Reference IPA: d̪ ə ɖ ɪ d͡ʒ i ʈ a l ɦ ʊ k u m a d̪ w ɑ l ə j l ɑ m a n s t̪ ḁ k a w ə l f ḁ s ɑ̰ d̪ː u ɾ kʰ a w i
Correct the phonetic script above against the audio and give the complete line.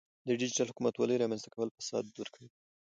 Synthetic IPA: d̪ ə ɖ ɪ d͡ʒ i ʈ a l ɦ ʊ k u m a t̪ w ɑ l ə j ɾ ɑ m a n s t̪ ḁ k a w ə l f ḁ s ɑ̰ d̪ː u ɾ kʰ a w i